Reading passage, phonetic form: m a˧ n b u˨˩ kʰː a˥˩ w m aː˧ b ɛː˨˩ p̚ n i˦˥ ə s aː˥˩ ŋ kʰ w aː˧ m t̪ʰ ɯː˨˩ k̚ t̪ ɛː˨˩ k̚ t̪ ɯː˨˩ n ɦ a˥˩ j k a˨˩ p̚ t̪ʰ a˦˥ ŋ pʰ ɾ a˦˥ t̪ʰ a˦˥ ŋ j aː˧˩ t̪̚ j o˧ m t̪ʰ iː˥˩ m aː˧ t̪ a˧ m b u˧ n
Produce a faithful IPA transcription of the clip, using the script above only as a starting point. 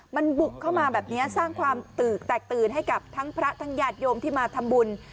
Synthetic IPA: m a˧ n b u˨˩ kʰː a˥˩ w m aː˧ b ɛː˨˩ p̚ n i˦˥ ɐ s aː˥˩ ŋ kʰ w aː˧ m t̪ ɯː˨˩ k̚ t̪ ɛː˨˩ k̚ t̪ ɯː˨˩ n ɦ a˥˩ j k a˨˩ p̚ t̪ʰ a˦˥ ŋ pʰ ɾ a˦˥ t̪ʰ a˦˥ ŋ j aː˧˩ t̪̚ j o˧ m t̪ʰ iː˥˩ m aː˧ t̪ʰ a˧ m b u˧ n